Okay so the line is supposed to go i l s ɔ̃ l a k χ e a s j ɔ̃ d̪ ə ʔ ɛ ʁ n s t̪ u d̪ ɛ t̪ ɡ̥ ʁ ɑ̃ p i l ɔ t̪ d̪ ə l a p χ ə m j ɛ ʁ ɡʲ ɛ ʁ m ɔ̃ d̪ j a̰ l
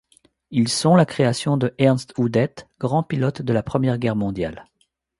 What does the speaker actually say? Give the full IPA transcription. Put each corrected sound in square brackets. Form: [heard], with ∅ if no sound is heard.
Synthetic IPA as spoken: i l s ɔ̃ l a k χ e a s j ɔ̃ d̪ ə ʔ ɛ ʁ n s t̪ u d̪ ɛ t̪ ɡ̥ ʁ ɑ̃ p i l ɔ t̪ d̪ ə l a p χ ə m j ɛ ʁ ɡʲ ɛ ʁ m ɔ̃ d̪ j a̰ l